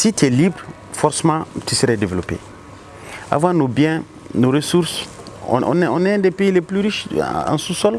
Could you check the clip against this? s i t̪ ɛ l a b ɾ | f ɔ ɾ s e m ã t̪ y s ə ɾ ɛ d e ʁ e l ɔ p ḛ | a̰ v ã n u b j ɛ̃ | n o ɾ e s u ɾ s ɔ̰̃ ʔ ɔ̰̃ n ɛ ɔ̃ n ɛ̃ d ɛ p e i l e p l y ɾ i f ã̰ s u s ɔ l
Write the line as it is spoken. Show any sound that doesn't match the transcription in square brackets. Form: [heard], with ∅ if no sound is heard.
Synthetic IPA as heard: s i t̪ ɛ l [i] b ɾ | f ɔ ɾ s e m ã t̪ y s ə ɾ ɛ d e [v] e l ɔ p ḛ | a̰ v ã n [o] b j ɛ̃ | n o ɾ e s u ɾ s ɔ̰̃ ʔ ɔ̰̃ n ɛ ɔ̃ n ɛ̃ d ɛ p e i l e p l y ɾ i [ʃ] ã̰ s u s ɔ l